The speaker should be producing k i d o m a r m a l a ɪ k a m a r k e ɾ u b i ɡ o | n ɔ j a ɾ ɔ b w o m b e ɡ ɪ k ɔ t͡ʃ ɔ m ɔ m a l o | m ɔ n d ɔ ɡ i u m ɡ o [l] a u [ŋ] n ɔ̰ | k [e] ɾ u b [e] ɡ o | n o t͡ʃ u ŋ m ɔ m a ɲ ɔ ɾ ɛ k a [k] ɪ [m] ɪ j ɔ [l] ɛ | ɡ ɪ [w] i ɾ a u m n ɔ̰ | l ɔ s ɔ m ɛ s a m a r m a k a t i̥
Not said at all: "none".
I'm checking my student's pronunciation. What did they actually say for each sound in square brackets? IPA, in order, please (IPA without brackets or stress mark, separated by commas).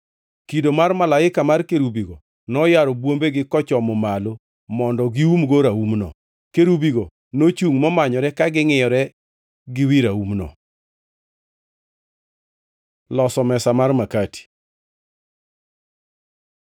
ɾ, m, e, i, ɡ, ŋ, ɾ, w